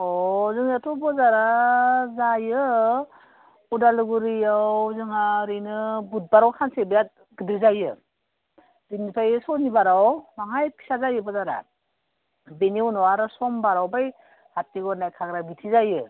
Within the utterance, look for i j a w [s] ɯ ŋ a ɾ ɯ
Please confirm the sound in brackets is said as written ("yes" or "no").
no